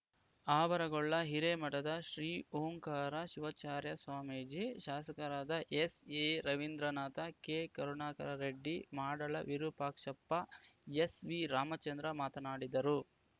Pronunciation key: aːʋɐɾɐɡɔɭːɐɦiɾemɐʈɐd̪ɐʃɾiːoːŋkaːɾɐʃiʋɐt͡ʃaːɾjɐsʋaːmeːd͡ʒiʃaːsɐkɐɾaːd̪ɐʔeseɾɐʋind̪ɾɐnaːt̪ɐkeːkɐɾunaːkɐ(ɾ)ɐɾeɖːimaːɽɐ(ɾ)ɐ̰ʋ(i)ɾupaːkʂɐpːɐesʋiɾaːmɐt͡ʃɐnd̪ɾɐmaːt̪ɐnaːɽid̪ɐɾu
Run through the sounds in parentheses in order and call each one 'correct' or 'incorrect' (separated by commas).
correct, incorrect, correct